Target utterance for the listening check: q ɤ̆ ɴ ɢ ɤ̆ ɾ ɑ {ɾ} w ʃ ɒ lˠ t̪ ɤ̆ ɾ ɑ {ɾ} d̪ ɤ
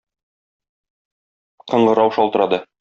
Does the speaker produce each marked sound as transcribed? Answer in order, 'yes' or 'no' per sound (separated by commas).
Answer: no, no